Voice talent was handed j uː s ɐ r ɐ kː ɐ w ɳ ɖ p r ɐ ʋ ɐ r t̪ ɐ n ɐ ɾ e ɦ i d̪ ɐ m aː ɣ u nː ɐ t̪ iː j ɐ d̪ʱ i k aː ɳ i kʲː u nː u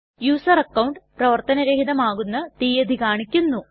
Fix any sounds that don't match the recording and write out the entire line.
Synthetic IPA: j uː s ɐ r ɐ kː ɐ w ɳ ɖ p r ɐ ʋ ɐ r t̪ ɐ n ɐ ɾ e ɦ i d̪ ɐ m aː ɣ u nː ɐ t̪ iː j ɐ d̪ʱ i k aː ɳ i kʲː u nː u

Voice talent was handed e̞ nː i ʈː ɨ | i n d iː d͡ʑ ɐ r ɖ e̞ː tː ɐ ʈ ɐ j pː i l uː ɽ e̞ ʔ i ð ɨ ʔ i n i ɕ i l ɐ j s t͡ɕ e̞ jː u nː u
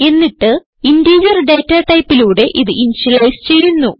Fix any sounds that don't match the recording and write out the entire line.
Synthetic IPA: e̞ nː i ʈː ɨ | i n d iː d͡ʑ ɐ r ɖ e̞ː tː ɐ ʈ ɐ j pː i l uː ɽ e̞ ʔ i ð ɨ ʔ i n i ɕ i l ɐ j s t͡ɕ e̞ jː u nː u

